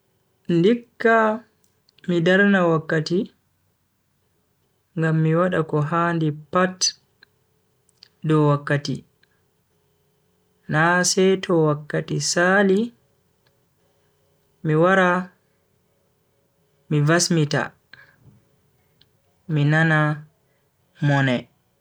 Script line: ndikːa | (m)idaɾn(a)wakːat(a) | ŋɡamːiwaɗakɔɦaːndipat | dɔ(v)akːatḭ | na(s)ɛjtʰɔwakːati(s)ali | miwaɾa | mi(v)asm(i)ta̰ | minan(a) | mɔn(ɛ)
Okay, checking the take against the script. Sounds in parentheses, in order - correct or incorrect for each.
correct, correct, incorrect, incorrect, correct, correct, correct, correct, correct, correct

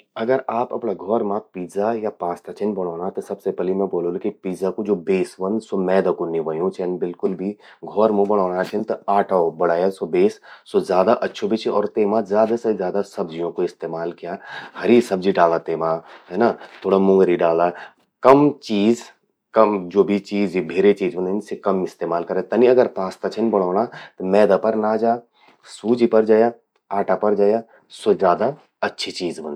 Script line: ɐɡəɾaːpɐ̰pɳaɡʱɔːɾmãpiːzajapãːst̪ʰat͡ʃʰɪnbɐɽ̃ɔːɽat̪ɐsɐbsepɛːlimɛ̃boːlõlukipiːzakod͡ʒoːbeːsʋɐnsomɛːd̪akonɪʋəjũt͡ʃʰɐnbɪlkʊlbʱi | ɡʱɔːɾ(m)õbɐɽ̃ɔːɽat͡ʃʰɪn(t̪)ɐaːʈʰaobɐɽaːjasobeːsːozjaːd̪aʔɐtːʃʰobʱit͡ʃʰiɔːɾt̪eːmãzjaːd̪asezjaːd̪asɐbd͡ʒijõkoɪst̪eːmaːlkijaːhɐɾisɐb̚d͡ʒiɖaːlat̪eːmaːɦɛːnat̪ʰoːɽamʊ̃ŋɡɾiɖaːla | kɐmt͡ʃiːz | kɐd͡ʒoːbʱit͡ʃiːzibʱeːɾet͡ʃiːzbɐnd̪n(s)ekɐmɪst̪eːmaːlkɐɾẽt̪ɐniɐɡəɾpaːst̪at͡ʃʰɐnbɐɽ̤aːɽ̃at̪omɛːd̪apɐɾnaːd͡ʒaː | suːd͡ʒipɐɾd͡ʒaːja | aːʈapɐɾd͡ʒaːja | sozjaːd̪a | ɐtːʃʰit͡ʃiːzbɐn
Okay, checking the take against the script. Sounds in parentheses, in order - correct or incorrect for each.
correct, correct, correct

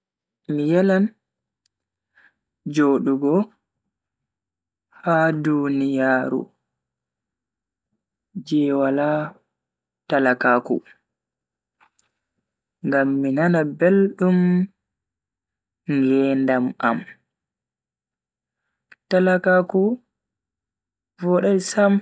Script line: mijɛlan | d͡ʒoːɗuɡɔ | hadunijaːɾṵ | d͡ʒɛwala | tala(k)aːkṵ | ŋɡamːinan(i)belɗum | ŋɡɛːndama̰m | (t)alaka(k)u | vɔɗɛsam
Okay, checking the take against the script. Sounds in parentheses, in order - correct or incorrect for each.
correct, incorrect, correct, correct

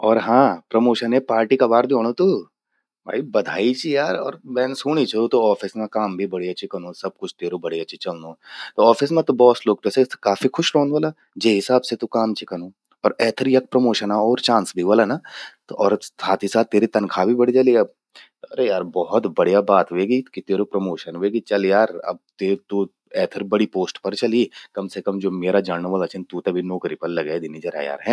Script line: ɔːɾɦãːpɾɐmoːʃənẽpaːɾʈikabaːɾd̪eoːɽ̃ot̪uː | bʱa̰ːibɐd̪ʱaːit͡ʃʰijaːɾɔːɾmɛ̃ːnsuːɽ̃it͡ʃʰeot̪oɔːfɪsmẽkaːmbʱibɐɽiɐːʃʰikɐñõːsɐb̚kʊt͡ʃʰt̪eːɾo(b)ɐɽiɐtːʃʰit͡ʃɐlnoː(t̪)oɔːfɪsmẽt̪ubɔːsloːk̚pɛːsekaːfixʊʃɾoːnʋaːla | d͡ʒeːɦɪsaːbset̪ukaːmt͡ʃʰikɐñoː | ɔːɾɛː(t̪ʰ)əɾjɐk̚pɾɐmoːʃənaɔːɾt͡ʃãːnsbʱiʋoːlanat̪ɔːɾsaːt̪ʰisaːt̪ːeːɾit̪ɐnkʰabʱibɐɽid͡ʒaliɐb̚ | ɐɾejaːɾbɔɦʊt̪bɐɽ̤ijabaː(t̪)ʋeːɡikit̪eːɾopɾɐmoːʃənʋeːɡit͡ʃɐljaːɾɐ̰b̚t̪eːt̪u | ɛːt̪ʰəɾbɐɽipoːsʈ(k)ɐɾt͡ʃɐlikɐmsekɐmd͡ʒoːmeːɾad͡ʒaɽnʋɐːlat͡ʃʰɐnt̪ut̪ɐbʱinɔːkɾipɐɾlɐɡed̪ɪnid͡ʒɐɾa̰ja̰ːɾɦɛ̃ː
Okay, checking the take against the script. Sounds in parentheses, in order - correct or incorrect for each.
correct, correct, correct, correct, incorrect

